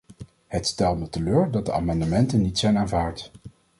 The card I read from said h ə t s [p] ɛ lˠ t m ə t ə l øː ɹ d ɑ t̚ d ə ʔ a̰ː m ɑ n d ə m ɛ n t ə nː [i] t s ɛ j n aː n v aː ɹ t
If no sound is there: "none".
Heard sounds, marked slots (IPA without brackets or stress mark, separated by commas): t, i